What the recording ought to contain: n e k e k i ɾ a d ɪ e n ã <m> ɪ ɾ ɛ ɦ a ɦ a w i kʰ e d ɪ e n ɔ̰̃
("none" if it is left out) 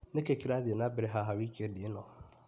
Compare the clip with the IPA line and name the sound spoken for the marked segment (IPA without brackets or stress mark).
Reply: b